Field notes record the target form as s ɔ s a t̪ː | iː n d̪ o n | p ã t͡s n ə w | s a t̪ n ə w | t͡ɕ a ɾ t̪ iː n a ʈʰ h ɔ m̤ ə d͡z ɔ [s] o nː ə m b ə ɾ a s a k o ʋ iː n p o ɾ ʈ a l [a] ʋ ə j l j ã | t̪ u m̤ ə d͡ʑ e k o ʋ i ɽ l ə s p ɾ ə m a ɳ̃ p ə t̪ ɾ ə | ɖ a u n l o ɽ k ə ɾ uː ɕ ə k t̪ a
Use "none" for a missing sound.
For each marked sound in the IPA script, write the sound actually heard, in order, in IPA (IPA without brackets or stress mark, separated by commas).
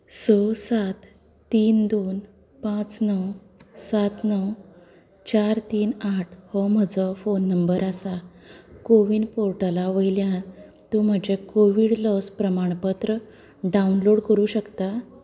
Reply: f, a